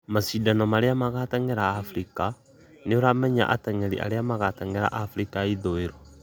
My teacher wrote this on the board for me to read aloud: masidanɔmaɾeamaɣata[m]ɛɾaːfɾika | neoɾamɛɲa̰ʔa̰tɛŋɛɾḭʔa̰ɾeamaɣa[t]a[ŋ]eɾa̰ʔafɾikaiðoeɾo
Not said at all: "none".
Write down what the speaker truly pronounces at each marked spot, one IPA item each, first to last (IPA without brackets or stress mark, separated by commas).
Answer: ŋ, t, ŋ